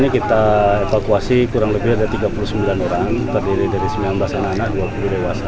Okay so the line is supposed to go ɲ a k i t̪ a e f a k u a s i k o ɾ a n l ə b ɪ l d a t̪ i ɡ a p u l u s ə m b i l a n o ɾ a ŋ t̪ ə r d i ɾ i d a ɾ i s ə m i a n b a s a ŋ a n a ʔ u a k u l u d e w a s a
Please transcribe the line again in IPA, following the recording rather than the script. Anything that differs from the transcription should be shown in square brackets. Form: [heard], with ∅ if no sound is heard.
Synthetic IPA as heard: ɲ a k i t̪ a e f a k u a s i k [u] ɾ a [ŋ] l ə b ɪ [r] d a t̪ i ɡ a p u l u s ə m b i l a n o ɾ a ŋ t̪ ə r d i ɾ i d a ɾ i s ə m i a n b a s a [n] a n a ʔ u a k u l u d e w a s a